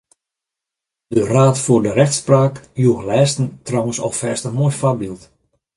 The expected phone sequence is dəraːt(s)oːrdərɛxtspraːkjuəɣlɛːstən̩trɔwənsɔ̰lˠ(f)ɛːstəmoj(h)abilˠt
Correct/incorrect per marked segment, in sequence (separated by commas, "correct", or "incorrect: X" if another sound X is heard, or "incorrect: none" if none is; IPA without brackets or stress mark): incorrect: f, correct, incorrect: f